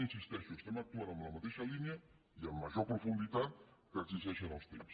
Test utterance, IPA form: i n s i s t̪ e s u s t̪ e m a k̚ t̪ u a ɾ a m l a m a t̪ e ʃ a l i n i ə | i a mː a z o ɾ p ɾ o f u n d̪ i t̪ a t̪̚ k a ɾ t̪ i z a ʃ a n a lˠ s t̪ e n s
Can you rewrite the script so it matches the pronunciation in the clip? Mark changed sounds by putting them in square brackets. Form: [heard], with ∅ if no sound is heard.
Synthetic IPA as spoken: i n s i s t̪ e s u s t̪ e m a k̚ t̪ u a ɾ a m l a m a t̪ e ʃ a l i n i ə | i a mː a [ʒ] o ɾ p ɾ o f u n d̪ i t̪ a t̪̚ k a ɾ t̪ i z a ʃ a n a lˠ s t̪ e [m] s